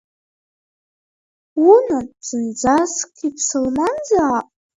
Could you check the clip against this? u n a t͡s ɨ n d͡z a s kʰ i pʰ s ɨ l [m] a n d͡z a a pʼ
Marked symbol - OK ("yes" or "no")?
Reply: yes